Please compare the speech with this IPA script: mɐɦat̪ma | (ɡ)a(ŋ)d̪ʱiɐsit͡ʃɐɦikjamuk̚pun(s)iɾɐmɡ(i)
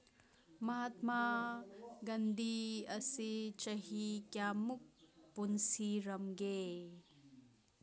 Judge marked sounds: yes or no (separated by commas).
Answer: yes, no, yes, no